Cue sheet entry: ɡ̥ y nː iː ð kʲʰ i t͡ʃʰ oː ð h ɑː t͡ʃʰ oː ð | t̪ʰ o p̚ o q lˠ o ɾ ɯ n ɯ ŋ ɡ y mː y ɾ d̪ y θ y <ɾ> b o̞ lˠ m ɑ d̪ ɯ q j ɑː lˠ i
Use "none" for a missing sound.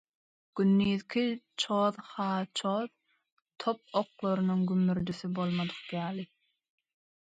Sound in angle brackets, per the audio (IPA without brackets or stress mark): none